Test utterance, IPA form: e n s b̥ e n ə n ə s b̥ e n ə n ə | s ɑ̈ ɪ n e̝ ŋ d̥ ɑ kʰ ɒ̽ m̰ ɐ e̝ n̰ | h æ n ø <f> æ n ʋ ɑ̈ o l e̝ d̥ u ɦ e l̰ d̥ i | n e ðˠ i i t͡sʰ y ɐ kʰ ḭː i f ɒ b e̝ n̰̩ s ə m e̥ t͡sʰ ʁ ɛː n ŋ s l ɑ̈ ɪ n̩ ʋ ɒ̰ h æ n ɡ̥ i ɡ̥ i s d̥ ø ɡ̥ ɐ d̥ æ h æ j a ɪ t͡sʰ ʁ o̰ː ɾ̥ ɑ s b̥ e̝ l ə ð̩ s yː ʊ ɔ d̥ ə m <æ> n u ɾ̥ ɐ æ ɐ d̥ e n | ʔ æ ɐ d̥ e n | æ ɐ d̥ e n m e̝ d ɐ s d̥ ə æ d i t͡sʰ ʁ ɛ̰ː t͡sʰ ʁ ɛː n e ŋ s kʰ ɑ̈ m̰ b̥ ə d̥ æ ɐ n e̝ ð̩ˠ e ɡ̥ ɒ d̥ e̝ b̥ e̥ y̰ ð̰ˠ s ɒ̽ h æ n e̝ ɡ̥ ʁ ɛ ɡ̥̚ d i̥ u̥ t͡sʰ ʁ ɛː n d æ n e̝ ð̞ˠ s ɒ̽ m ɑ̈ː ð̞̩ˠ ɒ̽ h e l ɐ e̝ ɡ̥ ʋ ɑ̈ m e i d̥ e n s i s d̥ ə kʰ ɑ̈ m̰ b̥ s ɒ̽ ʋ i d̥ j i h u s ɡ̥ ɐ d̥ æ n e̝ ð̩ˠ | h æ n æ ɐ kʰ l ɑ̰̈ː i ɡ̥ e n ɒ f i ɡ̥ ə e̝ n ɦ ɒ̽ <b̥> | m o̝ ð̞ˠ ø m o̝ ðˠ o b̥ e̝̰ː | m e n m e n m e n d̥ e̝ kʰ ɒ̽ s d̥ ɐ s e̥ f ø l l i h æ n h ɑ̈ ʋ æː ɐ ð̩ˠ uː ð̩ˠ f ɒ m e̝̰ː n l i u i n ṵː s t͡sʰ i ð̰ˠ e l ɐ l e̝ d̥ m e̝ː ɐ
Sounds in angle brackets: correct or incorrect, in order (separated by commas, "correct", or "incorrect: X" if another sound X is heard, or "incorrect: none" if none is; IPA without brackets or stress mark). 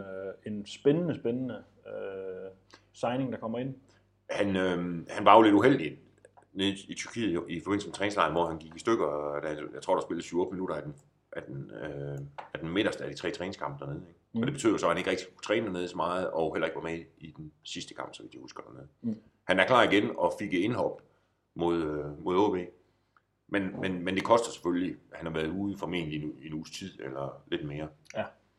incorrect: h, incorrect: i, correct